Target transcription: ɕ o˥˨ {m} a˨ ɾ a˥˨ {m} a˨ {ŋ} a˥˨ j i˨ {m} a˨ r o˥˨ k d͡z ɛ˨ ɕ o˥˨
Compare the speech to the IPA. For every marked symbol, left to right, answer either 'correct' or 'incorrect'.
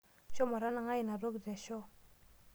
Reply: correct, incorrect, correct, incorrect

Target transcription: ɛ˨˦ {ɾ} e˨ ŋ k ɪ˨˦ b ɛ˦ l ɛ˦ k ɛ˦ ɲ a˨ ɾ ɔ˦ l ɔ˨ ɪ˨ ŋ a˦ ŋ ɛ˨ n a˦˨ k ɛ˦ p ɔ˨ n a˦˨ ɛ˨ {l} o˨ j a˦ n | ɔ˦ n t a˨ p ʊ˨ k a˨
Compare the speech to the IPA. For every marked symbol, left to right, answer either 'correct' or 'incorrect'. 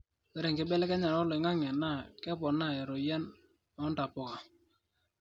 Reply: correct, incorrect

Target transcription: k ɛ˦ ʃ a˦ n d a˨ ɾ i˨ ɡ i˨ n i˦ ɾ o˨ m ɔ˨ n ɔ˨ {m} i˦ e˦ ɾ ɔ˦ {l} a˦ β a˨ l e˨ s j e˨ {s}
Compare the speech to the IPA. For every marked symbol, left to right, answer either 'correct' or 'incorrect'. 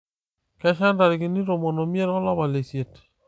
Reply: correct, correct, incorrect

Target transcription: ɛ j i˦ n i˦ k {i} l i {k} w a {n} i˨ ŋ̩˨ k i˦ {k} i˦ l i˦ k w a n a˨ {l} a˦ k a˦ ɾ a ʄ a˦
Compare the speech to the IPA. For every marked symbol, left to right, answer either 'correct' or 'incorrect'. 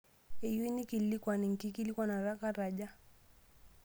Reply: correct, correct, correct, correct, incorrect

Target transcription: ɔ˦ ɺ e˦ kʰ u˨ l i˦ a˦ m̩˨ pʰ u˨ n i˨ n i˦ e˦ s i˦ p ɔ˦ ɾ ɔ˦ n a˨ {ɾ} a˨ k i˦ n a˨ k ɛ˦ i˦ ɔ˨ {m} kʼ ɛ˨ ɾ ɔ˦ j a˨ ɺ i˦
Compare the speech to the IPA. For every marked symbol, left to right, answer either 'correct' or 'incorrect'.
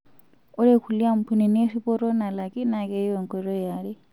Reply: incorrect, incorrect

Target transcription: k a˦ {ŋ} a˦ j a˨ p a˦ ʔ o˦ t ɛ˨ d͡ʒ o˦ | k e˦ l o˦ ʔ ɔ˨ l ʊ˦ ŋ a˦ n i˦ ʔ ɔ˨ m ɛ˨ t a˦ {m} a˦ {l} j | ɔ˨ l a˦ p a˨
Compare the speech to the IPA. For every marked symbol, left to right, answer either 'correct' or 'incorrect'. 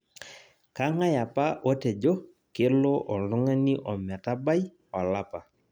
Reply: correct, incorrect, incorrect

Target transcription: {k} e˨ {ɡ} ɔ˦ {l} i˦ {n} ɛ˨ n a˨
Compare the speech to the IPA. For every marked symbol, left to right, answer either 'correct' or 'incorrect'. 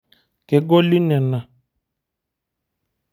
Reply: correct, correct, correct, correct

